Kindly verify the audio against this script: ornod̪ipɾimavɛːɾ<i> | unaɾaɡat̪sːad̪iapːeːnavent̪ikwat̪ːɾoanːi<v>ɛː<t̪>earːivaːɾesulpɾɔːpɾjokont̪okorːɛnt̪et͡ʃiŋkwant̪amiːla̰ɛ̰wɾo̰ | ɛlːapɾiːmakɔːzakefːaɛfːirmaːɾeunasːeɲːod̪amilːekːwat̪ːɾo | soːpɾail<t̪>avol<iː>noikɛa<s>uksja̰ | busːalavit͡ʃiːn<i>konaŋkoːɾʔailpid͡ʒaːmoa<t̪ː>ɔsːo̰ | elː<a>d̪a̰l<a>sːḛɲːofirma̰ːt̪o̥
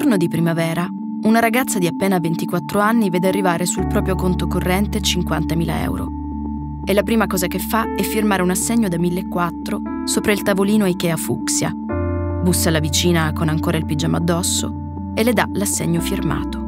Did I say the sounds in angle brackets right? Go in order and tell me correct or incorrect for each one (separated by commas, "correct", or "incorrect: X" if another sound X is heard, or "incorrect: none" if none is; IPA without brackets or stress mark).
incorrect: a, correct, incorrect: d̪, correct, correct, incorrect: f, incorrect: a, incorrect: d̪ː, incorrect: e, correct